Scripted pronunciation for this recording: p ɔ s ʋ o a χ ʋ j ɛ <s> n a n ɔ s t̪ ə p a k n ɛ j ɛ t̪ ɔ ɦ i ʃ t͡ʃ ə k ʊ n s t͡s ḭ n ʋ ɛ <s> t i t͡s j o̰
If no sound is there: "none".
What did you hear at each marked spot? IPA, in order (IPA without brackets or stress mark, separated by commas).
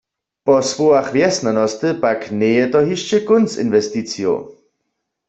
s, s